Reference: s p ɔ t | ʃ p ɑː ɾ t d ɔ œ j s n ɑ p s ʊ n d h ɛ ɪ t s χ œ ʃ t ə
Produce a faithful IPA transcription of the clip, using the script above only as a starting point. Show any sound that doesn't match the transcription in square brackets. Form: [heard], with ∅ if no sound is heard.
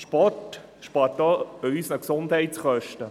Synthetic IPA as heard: [ʃ] p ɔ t | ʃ p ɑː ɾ t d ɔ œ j s n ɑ [k] s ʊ n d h ɛ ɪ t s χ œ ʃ t ə